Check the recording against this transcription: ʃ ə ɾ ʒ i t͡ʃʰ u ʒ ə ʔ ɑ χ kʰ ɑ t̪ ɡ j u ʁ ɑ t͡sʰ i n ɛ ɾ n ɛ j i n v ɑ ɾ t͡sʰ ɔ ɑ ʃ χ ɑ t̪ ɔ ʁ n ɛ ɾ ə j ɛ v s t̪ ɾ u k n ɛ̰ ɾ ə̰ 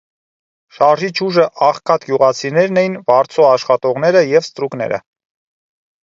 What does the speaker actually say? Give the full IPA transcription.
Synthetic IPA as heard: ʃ ɑ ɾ ʒ i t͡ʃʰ u ʒ ə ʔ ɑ χ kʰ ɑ t̪ ɡ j u ʁ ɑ t͡sʰ i n ɛ ɾ n ɛ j i n v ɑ ɾ t͡sʰ ɔ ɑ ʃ χ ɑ t̪ ɔ ʁ n ɛ ɾ ə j ɛ v s t̪ ɾ u k n ɛ̰ ɾ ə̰